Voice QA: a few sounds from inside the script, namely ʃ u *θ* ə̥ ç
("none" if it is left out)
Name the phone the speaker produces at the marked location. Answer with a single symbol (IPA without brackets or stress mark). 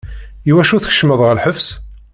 θ